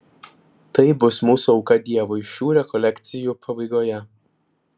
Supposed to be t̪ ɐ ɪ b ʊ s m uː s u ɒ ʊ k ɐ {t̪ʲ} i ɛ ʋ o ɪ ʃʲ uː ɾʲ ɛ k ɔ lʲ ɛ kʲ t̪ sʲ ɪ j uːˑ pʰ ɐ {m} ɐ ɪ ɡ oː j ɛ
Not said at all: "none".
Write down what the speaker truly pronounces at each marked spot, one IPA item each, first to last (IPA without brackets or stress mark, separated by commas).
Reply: d̪ʲ, b